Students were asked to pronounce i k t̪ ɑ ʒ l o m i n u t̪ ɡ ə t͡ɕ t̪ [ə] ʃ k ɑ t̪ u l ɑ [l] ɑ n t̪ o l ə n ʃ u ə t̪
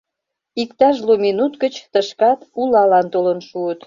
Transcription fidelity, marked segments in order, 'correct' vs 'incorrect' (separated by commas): correct, correct